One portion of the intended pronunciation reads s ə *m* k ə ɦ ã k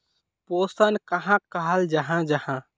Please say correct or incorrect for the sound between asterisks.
incorrect